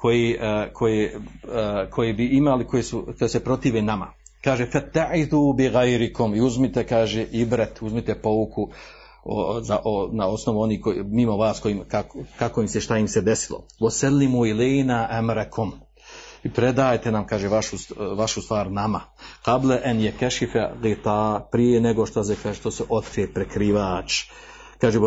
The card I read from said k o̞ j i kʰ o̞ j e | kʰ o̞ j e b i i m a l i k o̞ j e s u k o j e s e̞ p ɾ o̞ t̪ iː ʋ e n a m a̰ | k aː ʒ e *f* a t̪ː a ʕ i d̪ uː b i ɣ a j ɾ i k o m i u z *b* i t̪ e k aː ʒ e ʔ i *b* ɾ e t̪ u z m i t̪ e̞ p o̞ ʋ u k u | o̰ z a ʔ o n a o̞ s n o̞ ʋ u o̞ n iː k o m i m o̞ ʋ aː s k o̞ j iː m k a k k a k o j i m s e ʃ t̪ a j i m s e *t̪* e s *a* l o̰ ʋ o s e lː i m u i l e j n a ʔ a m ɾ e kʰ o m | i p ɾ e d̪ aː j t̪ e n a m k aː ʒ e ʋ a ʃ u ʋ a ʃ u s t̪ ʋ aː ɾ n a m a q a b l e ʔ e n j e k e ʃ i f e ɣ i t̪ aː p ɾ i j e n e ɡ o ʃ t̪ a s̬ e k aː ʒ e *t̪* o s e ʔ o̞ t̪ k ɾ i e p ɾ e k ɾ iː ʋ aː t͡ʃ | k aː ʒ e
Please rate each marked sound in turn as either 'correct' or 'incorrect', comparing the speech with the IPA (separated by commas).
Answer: correct, incorrect, correct, incorrect, incorrect, correct